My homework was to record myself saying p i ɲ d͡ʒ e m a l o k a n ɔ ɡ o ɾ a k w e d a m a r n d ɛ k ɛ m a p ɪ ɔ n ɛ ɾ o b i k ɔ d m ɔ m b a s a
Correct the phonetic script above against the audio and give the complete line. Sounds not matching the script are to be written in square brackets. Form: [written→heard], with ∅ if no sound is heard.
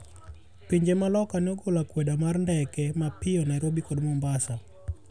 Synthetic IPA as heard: p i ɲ d͡ʒ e m a l [o→ɔ] k a n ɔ ɡ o [ɾ→l] a k w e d a m a r n d ɛ k ɛ m a p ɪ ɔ n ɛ ɾ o b i k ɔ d m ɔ m b a s a